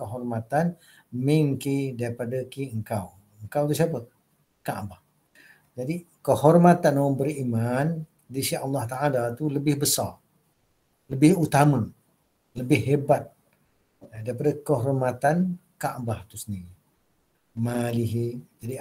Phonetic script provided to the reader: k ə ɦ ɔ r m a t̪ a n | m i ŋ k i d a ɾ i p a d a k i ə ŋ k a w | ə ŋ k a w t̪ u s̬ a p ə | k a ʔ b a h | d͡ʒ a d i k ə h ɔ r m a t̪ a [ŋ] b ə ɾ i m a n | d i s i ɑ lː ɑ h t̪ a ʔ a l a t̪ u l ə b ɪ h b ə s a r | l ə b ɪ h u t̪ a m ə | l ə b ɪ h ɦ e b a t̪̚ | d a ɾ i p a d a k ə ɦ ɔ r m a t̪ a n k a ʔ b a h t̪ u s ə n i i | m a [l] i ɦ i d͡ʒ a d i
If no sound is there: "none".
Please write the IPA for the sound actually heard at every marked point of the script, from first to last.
n, l

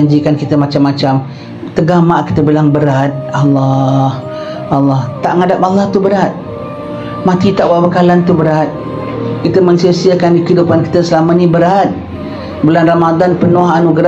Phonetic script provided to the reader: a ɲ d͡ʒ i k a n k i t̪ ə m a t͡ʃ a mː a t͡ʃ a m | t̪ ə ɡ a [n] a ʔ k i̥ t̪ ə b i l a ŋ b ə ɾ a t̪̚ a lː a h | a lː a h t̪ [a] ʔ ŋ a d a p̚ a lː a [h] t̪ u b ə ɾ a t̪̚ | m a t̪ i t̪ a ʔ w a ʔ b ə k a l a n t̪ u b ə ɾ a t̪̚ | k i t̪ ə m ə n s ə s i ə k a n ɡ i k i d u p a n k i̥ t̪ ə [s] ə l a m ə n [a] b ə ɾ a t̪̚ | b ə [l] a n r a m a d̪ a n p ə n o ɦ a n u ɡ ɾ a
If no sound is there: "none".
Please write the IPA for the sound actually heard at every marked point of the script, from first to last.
m, a, h, s, i, l

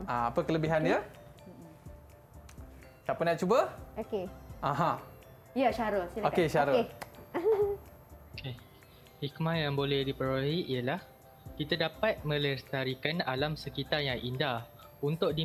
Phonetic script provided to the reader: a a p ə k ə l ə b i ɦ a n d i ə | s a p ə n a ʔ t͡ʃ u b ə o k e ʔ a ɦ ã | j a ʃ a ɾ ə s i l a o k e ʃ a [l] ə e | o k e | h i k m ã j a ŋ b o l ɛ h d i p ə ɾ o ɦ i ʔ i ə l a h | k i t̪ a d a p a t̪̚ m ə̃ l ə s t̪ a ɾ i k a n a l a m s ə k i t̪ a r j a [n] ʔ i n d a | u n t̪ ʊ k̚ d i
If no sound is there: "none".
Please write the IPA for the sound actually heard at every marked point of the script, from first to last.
ɾ, ŋ

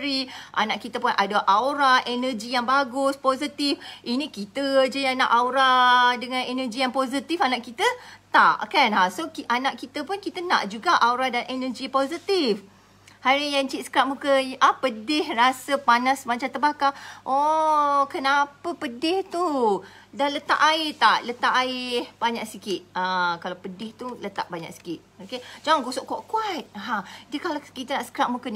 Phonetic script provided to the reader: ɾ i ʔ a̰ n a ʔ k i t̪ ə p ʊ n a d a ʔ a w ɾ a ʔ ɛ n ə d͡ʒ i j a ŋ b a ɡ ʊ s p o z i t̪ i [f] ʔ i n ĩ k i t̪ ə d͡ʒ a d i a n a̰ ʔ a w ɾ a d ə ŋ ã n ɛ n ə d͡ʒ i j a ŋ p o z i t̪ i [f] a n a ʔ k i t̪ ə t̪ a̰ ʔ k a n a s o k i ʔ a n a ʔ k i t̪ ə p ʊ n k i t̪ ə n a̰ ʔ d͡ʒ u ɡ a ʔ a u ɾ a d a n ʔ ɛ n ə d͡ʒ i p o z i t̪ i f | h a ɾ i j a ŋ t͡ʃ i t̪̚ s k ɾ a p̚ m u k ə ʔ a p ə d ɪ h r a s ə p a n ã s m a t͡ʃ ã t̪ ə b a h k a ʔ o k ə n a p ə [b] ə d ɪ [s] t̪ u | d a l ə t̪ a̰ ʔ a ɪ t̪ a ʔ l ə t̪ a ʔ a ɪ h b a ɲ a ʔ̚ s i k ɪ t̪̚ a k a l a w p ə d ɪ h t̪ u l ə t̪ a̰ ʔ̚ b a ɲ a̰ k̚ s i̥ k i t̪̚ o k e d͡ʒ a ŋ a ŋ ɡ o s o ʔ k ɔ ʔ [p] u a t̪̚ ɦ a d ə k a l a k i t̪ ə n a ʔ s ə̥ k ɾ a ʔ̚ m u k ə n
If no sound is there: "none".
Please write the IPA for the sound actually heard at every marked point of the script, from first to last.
f, f, p, h, k

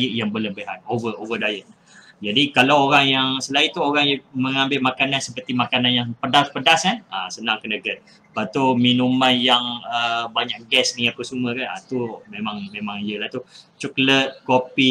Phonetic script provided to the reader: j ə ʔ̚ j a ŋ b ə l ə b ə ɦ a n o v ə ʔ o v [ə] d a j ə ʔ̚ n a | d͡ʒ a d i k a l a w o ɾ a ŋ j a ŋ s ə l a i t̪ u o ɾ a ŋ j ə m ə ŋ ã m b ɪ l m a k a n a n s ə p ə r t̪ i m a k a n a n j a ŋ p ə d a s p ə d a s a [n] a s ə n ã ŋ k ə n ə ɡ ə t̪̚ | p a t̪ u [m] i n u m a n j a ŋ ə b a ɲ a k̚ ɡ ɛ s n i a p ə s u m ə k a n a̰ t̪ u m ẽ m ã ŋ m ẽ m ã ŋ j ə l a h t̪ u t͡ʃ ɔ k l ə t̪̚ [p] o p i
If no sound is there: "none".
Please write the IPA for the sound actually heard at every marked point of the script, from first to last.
ə, n, m, k

